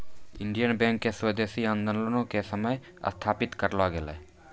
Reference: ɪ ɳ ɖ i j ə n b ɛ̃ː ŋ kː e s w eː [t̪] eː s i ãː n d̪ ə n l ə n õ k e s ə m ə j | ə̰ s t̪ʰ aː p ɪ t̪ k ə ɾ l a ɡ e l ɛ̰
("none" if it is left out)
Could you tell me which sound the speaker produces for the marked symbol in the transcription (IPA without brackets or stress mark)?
d̪